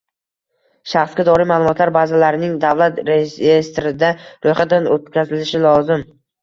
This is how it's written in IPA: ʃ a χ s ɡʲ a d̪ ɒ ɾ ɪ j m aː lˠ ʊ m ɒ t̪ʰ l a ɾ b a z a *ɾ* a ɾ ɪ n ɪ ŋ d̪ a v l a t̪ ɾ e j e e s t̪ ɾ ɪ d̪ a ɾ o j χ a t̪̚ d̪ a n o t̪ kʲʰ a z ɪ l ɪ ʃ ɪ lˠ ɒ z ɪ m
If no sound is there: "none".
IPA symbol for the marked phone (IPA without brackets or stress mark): l